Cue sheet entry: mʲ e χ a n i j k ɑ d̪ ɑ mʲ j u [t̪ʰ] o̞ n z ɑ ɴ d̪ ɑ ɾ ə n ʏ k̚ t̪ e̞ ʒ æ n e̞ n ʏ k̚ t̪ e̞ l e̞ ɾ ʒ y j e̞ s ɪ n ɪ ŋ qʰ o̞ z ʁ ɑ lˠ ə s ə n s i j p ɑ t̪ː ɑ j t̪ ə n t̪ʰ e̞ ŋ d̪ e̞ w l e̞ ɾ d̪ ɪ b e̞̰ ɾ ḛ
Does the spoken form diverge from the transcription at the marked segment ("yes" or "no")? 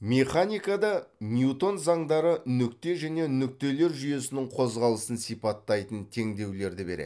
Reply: yes